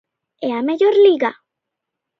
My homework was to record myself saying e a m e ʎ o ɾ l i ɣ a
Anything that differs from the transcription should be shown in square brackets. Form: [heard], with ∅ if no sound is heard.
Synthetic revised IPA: e a m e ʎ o ɾ l i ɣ a